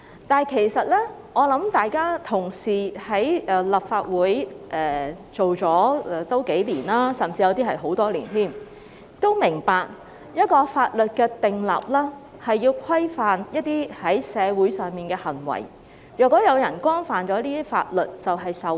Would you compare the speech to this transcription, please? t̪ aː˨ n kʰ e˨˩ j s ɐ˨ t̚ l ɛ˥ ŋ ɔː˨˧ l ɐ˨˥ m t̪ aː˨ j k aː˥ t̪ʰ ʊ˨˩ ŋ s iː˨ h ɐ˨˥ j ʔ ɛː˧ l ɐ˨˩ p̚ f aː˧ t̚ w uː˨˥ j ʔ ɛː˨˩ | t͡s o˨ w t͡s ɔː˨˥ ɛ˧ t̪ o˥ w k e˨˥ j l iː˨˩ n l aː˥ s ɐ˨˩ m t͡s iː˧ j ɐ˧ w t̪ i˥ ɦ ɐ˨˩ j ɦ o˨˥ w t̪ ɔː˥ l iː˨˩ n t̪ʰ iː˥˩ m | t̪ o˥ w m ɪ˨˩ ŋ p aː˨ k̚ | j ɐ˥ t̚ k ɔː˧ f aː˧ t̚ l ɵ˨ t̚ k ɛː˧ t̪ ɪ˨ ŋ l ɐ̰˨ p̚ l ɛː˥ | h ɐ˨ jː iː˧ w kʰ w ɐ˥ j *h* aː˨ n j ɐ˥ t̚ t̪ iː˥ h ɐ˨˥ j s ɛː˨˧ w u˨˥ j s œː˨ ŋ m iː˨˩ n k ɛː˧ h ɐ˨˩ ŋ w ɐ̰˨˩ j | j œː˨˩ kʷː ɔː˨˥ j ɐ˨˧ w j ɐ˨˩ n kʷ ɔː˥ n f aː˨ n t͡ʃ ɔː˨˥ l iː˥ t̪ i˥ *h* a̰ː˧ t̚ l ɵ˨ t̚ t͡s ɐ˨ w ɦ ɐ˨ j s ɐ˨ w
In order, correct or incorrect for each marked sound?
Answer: incorrect: f, incorrect: f

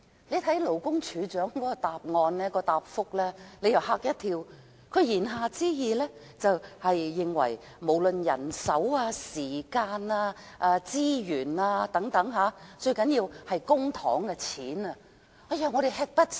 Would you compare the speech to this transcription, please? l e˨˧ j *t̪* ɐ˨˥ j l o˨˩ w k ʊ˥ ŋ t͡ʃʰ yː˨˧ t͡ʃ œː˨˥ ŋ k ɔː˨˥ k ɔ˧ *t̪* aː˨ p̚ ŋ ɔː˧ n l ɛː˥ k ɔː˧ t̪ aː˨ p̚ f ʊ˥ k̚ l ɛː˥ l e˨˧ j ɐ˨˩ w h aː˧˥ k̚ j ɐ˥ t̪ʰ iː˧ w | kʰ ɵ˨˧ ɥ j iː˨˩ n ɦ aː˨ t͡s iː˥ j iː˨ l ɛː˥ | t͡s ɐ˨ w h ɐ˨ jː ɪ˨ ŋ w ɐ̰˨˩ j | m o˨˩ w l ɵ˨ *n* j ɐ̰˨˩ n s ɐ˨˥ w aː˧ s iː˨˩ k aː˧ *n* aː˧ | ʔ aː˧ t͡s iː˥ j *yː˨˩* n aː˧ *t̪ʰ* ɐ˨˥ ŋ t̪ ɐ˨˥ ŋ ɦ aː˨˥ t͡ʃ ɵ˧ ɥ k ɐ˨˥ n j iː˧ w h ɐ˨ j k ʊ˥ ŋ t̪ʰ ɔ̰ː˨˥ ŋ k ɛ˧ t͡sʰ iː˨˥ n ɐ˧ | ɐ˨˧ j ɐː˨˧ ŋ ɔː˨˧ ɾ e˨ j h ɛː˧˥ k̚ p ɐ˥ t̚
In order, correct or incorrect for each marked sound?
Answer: incorrect: t̪ʰ, correct, correct, correct, correct, incorrect: t̪

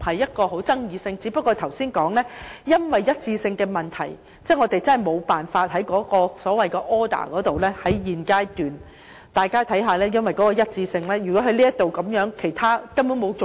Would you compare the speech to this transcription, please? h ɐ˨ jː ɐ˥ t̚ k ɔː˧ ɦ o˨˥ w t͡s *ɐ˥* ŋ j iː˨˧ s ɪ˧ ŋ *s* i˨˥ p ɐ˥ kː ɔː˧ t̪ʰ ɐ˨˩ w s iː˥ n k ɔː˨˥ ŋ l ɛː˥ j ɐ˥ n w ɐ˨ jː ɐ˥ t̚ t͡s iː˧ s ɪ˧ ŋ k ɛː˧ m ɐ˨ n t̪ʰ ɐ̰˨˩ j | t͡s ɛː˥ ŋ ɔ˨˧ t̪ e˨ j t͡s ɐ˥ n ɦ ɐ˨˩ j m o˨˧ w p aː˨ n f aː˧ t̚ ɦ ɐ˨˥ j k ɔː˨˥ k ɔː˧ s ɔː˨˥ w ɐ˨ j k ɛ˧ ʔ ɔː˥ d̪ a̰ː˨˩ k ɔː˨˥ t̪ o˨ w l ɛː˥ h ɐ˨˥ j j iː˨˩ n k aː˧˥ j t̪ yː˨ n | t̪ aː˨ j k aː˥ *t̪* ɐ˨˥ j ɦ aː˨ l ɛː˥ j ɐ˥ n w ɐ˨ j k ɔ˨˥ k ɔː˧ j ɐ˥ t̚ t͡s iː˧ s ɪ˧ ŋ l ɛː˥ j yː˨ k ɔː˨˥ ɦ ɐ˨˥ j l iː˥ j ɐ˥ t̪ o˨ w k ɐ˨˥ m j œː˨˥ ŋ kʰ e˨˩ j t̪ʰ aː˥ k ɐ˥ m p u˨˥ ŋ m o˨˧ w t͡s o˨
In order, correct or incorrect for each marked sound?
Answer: correct, incorrect: t͡s, incorrect: t̪ʰ

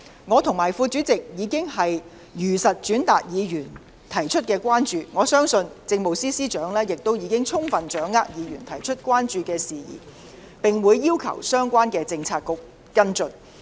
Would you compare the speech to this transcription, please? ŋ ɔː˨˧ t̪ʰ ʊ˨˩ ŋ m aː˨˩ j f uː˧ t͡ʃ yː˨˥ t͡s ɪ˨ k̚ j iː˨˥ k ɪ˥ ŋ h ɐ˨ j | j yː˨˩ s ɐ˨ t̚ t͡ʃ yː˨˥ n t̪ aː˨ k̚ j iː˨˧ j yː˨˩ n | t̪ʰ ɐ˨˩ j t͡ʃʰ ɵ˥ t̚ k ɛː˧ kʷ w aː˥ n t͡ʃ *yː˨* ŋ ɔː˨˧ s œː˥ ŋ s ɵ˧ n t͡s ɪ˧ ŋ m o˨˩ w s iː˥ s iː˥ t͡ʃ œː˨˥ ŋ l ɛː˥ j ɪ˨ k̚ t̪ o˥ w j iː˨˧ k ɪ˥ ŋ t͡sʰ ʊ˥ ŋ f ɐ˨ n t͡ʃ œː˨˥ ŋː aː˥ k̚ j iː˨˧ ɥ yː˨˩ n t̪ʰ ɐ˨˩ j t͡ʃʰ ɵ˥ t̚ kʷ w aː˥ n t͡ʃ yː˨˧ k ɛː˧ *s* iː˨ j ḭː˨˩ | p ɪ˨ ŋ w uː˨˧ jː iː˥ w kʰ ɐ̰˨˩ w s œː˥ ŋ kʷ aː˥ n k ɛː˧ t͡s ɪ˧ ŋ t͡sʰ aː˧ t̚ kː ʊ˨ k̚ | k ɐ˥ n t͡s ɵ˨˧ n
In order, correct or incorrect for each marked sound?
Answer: correct, correct

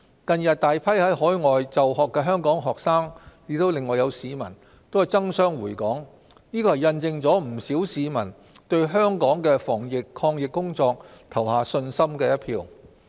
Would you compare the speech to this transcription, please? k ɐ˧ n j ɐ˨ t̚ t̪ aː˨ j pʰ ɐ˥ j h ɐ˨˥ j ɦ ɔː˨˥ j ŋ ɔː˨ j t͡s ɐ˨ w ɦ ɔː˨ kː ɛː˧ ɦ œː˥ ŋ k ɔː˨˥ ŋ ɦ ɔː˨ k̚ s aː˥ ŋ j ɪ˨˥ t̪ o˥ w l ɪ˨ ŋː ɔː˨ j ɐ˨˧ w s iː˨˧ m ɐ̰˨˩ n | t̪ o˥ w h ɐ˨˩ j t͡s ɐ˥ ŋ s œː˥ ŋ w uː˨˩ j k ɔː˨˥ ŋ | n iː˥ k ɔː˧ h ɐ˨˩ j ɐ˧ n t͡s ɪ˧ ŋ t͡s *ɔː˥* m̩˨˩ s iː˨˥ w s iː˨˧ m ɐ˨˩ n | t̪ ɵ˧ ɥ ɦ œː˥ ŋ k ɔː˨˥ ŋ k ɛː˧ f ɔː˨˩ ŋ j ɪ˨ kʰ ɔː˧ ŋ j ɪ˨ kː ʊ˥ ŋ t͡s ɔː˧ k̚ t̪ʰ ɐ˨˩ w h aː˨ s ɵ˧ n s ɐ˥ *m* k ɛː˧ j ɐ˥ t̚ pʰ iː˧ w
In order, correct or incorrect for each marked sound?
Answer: incorrect: ɔː˨˥, correct

